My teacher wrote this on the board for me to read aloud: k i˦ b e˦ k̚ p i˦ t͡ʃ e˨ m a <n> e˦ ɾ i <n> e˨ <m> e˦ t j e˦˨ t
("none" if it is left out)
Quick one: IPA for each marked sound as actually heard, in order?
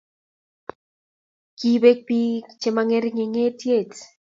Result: ŋ, ŋ, ŋ

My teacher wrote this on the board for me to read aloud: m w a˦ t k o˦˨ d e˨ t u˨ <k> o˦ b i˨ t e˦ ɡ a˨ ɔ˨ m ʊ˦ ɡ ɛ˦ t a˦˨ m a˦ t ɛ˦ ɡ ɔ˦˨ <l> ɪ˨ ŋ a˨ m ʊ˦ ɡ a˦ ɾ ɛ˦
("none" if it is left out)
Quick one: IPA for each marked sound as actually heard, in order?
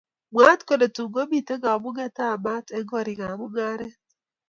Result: ɡ, ɾ

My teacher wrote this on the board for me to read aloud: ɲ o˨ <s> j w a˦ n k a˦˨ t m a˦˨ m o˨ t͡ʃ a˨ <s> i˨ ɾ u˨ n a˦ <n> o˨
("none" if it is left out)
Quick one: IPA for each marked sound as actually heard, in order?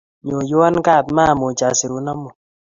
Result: none, s, m

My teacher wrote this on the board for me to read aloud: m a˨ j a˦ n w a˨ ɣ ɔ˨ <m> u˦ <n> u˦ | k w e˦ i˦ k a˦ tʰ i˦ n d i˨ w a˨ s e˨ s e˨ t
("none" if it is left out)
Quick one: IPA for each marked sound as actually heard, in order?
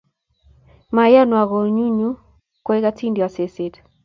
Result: ɲ, ɲ

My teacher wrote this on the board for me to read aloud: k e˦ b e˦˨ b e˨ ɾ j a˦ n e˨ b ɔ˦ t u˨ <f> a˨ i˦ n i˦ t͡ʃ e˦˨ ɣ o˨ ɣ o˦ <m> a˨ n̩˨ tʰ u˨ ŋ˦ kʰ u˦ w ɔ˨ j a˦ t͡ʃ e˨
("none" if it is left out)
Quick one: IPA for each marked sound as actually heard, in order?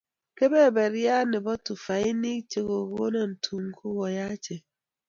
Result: f, n

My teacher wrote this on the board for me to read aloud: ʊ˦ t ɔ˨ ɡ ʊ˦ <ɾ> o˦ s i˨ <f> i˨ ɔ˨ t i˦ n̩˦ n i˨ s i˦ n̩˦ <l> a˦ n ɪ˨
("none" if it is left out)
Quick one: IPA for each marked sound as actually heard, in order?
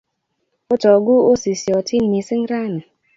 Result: none, s, ɾ

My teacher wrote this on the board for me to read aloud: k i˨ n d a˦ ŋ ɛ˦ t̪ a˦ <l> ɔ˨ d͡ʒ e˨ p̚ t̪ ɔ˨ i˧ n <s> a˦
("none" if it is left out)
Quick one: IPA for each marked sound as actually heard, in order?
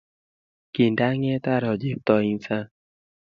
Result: ɾ, s

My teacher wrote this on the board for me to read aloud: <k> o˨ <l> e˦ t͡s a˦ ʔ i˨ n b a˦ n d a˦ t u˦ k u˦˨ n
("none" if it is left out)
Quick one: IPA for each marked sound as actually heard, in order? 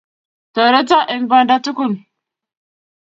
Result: t, ɾ

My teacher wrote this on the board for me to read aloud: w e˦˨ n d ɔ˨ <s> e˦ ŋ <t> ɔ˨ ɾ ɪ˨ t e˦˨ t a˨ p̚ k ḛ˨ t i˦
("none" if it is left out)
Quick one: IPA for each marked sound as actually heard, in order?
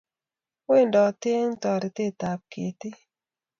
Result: t, t

